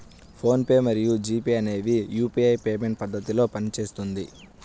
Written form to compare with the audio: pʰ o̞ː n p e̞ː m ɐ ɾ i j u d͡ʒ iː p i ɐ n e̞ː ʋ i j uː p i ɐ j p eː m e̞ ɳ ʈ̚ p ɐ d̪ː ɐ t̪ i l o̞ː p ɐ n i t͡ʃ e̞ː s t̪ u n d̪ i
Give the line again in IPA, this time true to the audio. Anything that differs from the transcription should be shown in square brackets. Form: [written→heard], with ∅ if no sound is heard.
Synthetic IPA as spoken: pʰ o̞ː n p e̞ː m ɐ ɾ i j u d͡ʒ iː p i ɐ n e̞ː ʋ i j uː p i ɐ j p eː m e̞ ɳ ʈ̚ p ɐ d̪ː ɐ t̪ i l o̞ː p ɐ n i t͡ʃ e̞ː s t̪ u n d̪ i